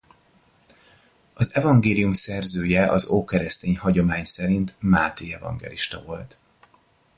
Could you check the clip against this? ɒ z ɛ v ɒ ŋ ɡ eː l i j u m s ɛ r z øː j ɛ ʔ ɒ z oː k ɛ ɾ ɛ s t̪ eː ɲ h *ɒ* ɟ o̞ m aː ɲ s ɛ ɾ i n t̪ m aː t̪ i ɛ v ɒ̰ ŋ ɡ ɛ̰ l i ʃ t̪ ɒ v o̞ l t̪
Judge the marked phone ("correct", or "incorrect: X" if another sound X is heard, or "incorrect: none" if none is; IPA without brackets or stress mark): correct